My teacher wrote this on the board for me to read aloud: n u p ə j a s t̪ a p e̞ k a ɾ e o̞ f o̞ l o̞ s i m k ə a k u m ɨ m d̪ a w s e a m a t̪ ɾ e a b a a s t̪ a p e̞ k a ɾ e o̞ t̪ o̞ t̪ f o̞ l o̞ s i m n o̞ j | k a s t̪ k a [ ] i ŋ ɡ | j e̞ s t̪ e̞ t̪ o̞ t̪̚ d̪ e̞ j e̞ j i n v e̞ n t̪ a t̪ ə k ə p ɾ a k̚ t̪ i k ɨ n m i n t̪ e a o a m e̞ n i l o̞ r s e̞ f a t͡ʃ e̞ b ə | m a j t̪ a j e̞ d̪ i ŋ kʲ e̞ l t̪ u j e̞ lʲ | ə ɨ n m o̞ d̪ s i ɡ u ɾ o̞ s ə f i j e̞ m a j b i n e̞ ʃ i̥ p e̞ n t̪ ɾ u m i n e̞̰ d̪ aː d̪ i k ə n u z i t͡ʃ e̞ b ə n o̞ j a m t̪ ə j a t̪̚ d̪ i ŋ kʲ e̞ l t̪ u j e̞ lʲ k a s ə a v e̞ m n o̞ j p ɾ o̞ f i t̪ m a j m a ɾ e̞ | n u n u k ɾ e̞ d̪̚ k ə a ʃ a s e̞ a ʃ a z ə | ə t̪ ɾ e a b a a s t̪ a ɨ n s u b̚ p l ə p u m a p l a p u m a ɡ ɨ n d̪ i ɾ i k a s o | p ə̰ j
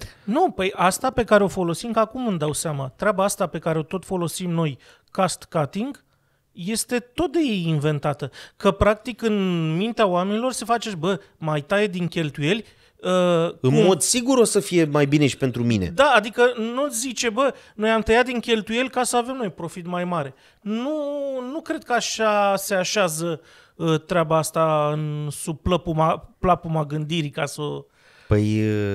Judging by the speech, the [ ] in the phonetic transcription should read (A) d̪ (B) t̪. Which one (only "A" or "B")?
B